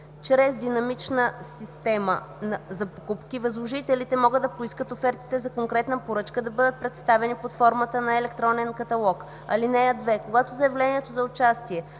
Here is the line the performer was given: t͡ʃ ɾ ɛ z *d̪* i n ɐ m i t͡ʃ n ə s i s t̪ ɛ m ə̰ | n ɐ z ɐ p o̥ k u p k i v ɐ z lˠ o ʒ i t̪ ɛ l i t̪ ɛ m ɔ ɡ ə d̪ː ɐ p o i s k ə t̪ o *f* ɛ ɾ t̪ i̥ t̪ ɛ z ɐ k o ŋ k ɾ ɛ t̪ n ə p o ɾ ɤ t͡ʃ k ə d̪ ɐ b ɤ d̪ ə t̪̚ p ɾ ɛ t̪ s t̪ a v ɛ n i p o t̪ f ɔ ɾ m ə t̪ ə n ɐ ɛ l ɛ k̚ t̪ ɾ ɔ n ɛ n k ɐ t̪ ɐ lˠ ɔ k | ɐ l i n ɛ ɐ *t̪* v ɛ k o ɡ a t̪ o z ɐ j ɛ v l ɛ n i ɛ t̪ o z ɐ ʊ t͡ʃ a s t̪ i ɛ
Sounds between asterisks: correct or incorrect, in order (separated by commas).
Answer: correct, correct, incorrect